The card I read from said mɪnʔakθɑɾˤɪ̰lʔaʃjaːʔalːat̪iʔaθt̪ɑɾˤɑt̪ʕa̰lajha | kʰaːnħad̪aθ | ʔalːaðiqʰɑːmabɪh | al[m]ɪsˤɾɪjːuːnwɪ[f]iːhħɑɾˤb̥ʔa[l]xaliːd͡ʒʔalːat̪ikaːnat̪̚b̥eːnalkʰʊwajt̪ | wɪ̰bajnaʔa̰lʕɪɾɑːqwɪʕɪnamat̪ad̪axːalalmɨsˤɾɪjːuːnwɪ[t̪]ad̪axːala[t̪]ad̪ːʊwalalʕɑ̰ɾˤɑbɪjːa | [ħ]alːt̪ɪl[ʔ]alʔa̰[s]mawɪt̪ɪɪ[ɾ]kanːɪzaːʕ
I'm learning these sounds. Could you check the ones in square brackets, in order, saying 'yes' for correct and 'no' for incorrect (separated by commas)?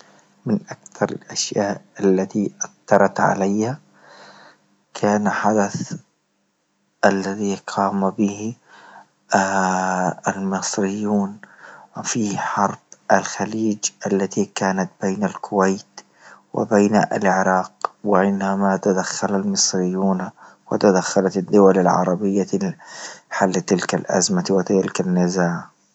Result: yes, yes, yes, yes, yes, yes, no, no, no